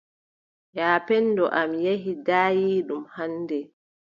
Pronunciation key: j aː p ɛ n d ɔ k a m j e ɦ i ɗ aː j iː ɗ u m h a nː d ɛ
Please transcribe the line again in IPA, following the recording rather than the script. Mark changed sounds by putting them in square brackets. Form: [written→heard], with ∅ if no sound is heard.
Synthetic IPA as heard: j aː p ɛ n d ɔ [k→ʔ] a m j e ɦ i [ɗ→d] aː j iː ɗ u m h a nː d ɛ